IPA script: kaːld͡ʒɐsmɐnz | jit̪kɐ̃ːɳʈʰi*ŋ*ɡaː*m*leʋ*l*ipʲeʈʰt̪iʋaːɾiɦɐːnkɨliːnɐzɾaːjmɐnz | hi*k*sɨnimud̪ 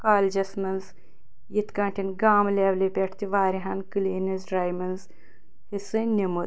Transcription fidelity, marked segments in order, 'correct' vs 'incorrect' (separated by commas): incorrect, correct, correct, incorrect